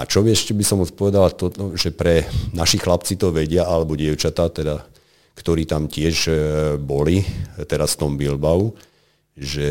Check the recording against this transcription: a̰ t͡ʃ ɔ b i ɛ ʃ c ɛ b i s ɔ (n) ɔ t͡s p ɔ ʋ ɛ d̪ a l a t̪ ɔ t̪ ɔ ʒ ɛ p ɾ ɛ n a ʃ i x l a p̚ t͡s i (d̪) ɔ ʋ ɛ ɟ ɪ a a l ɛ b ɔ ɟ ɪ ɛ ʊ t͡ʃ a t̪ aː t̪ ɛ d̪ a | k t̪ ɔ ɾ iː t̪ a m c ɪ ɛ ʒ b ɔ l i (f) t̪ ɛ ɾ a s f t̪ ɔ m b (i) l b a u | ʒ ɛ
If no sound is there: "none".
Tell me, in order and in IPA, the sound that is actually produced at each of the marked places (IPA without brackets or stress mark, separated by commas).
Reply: m, t̪, none, i